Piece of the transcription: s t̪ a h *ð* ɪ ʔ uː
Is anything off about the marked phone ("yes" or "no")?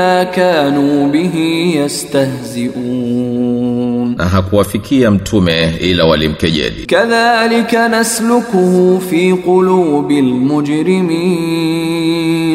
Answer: yes